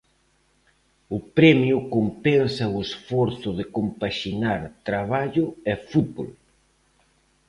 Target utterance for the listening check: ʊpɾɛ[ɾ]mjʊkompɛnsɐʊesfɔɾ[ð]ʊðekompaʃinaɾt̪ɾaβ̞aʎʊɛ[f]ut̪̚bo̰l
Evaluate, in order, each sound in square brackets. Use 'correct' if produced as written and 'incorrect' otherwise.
incorrect, incorrect, correct

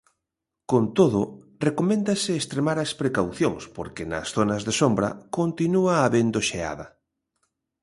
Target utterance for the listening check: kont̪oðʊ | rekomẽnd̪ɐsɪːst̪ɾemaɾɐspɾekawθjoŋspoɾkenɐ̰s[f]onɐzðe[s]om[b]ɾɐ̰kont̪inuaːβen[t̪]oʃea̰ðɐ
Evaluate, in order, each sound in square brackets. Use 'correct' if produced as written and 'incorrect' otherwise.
incorrect, correct, correct, incorrect

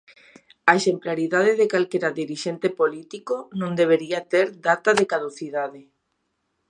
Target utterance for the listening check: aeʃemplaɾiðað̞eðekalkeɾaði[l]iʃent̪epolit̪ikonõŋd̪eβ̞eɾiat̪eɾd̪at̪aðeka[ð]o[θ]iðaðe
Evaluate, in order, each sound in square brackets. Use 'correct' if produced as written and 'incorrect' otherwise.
incorrect, correct, correct

